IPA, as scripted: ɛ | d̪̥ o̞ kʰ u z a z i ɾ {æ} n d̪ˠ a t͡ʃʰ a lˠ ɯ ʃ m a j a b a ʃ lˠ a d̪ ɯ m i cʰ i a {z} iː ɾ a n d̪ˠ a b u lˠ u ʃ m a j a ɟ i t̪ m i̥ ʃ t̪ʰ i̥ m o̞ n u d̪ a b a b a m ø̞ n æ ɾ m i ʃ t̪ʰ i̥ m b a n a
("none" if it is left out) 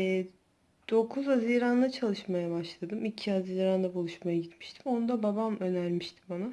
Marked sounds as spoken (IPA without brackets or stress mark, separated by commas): a, z